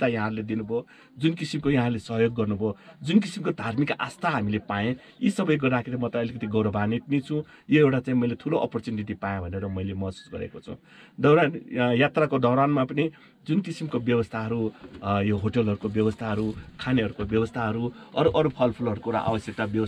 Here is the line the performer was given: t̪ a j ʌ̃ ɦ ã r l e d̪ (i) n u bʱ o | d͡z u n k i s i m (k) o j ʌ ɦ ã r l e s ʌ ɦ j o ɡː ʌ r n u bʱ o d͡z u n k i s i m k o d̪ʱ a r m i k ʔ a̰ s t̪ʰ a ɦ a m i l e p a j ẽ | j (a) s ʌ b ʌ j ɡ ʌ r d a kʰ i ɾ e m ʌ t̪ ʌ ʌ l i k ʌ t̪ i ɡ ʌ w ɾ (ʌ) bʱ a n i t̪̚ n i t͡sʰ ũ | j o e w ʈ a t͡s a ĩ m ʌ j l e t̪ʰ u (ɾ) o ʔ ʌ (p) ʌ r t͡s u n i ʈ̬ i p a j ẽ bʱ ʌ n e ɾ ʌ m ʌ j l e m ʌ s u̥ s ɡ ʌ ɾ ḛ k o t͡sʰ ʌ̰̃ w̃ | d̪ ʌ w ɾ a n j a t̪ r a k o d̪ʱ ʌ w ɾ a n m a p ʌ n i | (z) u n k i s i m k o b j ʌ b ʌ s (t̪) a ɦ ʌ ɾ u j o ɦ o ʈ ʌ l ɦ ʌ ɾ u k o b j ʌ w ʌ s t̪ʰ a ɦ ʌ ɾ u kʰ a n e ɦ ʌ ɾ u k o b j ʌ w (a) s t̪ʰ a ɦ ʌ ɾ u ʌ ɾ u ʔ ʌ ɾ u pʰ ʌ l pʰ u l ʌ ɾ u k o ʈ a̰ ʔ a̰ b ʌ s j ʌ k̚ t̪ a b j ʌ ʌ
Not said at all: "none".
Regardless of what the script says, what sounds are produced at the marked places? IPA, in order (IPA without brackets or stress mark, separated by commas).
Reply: i, k, i, ʌ, l, p, d͡z, t̪ʰ, ʌ